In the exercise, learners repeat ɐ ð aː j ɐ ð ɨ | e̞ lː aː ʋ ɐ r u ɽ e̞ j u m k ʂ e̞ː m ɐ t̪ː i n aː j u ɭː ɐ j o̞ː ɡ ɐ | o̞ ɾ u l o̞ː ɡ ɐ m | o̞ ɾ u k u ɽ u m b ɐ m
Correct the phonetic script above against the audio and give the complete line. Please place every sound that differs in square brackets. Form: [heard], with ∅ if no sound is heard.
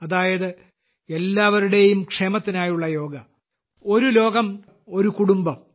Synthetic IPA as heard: ɐ ð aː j ɐ ð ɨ | e̞ lː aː ʋ ɐ [ɾ] u ɽ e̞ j u m k ʂ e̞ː m ɐ t̪ː i n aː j u ɭː ɐ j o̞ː ɡ ɐ | o̞ ɾ u l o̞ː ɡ ɐ m | o̞ ɾ u k u ɽ u m b ɐ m